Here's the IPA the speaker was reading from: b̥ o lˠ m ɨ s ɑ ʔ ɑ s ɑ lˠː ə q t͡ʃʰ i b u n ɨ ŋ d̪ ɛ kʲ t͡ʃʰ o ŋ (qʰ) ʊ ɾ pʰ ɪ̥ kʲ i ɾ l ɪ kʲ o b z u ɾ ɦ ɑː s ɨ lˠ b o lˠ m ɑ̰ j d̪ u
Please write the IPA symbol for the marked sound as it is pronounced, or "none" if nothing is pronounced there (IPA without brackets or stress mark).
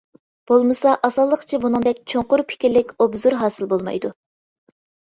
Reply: q